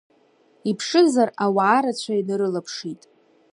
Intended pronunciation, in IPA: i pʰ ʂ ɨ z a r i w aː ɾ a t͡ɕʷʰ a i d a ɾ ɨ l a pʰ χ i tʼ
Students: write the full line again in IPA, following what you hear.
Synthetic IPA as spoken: i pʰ ʂ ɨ z a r a w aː ɾ a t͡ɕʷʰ a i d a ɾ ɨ l a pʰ ʂ i tʼ